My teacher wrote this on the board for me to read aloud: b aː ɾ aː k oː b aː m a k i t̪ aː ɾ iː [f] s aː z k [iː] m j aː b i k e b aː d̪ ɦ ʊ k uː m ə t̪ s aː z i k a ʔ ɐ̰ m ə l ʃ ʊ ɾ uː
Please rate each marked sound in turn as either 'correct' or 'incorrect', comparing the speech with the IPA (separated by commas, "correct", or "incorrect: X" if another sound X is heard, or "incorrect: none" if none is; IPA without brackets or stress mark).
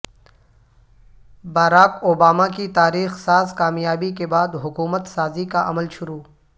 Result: incorrect: x, incorrect: aː